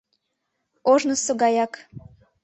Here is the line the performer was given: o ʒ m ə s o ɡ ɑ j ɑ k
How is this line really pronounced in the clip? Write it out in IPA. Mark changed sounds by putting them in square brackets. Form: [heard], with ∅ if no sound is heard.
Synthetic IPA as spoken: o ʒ [n] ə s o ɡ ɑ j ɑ k